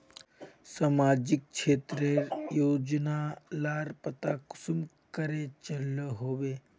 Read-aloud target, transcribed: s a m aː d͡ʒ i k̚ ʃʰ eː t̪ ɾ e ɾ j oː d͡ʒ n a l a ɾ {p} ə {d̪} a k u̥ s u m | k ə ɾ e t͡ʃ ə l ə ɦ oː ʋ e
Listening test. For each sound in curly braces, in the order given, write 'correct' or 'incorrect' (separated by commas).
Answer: correct, incorrect